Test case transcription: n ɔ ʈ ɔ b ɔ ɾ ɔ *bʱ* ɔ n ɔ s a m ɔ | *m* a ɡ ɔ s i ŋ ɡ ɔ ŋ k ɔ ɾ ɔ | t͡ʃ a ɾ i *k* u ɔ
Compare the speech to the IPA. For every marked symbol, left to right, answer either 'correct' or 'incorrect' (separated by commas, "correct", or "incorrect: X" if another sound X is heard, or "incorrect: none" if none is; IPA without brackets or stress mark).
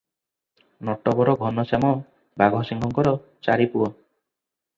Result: incorrect: ɡʱ, incorrect: b, incorrect: p